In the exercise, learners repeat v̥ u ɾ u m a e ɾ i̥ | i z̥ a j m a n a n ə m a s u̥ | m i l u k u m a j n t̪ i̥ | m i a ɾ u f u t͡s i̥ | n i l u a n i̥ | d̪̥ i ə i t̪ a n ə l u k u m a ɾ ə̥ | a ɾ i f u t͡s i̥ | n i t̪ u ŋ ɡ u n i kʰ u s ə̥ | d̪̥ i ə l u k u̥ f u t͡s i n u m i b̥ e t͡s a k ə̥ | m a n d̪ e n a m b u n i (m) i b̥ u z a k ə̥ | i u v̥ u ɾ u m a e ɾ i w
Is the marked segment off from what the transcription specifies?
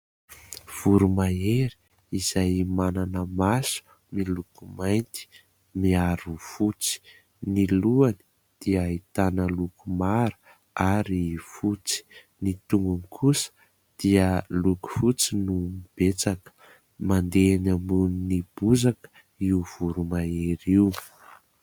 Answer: yes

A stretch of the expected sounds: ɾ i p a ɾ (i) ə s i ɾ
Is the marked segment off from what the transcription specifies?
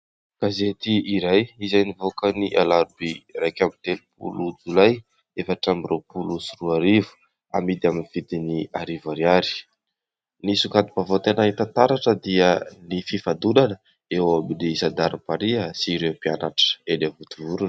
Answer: no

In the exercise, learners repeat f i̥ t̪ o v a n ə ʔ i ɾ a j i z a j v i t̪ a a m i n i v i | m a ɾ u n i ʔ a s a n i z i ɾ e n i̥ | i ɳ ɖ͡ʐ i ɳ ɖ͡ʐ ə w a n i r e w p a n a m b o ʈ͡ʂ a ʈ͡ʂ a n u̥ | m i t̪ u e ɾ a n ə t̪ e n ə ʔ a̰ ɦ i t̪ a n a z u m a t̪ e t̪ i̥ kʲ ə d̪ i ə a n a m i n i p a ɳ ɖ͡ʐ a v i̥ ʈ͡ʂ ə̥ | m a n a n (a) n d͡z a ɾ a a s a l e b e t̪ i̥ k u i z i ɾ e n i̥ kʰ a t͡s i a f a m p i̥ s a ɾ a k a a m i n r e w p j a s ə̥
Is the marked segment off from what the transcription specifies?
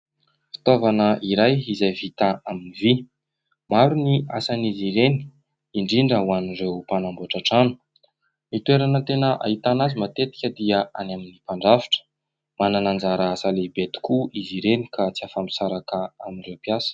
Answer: no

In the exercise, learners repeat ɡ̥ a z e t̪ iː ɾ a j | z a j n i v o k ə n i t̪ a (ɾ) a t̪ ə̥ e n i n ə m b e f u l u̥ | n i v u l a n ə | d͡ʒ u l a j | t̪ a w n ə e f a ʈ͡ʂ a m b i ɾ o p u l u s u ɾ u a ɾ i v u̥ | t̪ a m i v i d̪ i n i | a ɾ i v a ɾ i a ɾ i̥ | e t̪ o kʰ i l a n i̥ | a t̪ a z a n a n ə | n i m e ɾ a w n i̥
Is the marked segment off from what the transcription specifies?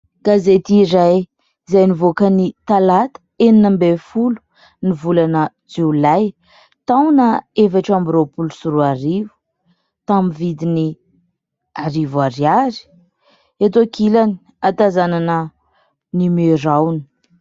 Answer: yes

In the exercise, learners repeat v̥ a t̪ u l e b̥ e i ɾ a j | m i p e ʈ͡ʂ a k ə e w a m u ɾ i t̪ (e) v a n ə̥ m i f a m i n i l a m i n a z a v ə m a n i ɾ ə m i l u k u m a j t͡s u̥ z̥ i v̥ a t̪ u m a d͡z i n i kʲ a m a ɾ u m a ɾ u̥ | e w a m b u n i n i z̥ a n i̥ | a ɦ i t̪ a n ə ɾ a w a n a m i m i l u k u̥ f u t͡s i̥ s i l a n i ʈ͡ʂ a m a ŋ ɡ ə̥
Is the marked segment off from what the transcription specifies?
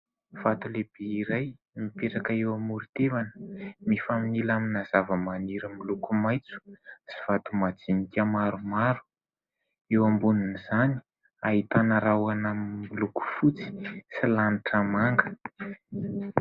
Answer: no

